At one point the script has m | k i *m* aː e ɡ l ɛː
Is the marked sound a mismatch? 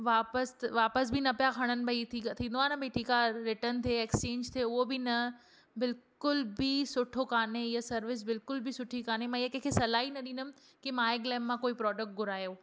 no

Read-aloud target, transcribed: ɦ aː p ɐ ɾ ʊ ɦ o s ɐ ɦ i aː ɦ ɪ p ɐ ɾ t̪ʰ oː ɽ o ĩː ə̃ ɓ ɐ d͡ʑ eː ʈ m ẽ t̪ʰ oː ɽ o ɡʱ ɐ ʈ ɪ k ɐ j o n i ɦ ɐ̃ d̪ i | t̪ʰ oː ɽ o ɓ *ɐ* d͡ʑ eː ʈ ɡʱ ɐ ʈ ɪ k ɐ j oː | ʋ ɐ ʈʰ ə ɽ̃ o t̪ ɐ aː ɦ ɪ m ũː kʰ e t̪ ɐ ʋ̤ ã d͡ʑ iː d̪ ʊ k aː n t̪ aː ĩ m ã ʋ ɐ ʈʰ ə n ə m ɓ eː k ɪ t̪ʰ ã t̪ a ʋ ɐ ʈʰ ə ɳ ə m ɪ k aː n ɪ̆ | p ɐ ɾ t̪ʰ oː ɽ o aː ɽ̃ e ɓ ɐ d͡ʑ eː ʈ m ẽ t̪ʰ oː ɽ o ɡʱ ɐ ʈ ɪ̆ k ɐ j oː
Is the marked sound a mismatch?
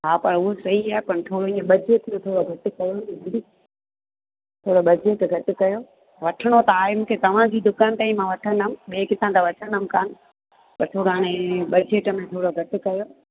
no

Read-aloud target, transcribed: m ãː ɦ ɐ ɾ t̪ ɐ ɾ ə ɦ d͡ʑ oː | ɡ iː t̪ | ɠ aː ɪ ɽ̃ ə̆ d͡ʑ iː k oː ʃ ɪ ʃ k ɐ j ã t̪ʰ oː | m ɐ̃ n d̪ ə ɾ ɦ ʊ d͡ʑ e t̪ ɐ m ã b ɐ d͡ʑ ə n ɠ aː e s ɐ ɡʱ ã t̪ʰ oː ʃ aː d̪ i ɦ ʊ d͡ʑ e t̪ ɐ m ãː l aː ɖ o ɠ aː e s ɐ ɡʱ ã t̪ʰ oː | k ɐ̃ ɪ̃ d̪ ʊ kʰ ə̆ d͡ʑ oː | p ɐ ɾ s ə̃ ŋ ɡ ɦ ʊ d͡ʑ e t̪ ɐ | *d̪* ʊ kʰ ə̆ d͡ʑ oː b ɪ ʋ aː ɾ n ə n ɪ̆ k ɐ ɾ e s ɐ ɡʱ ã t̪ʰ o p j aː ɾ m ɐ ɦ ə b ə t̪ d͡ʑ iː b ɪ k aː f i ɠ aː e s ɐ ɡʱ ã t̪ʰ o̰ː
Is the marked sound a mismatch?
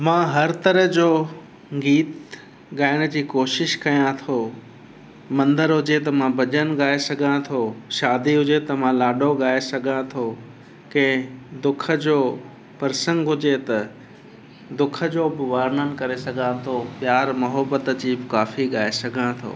no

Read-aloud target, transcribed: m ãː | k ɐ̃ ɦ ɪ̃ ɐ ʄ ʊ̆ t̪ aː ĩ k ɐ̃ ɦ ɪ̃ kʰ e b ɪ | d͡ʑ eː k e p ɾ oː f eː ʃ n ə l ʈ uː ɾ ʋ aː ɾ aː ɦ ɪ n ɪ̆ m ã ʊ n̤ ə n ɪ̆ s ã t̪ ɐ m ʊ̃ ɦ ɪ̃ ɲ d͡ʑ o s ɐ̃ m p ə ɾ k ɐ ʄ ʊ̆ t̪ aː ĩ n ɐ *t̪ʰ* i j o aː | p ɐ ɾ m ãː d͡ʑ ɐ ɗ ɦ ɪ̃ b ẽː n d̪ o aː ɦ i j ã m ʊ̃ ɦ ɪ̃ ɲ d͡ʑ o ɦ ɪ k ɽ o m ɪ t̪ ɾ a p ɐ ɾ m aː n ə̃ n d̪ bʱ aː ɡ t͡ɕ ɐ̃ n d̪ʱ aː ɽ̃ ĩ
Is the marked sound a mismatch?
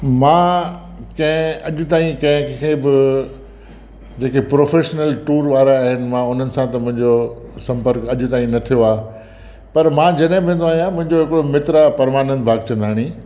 no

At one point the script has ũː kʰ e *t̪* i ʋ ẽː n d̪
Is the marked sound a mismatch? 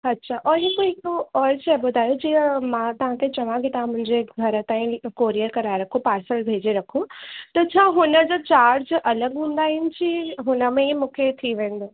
yes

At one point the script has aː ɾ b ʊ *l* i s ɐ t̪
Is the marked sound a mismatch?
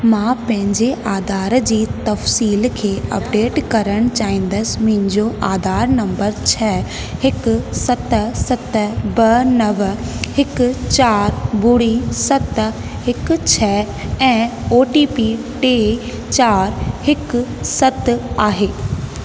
yes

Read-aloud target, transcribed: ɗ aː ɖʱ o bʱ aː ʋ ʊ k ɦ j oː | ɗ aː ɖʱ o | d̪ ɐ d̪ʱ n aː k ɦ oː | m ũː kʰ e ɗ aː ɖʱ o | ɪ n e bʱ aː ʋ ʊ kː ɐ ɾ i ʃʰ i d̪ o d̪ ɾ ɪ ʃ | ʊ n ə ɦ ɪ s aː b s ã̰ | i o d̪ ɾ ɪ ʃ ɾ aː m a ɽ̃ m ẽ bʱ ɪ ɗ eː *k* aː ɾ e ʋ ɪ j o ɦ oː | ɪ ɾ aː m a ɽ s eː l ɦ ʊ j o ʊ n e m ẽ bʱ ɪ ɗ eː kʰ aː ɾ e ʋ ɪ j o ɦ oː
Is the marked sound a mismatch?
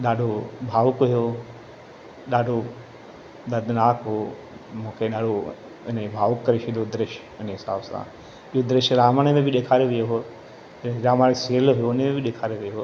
yes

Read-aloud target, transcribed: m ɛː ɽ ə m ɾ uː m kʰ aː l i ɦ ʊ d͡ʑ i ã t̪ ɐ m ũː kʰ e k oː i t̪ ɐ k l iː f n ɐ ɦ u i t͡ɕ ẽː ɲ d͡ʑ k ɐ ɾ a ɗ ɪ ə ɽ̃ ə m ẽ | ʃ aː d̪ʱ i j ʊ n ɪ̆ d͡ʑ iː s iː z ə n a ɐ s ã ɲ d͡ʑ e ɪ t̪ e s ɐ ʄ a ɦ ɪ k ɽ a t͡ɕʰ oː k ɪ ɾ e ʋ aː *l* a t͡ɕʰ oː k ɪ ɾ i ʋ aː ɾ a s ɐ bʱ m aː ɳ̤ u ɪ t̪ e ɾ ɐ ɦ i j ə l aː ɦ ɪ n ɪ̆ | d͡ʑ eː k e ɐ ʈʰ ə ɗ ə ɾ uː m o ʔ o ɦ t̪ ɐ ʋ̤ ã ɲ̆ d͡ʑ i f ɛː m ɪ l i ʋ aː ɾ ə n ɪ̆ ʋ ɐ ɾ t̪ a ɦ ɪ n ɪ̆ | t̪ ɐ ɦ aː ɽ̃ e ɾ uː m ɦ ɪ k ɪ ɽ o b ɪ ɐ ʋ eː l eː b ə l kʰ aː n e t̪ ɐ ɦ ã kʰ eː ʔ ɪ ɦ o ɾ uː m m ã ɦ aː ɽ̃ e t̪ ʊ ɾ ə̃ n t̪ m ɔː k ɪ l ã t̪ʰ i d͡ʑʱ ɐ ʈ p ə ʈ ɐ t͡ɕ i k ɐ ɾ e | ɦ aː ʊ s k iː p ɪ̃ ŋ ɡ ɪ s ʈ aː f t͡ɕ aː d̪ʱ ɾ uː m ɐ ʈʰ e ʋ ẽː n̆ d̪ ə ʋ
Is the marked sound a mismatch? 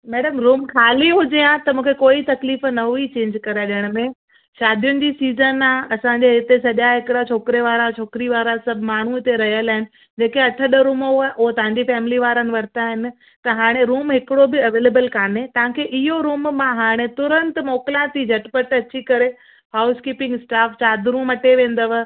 yes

